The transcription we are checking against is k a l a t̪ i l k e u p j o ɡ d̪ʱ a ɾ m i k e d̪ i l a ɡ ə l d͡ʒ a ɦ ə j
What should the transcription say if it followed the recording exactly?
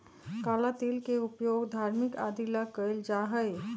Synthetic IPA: k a l a t̪ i l k e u p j o ɡ d̪ʱ a ɾ m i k a d̪ i l a k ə l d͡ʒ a ɦ ə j